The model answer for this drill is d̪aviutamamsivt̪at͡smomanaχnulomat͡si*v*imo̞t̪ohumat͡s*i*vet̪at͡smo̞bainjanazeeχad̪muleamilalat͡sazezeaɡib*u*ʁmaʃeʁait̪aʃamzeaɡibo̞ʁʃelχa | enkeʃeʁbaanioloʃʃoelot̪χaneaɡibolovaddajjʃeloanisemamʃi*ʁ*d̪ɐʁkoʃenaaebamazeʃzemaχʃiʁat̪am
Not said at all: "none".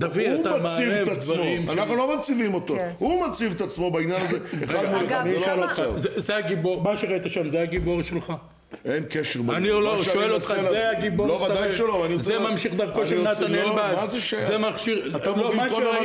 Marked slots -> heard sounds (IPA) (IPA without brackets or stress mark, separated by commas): v, i, o, χ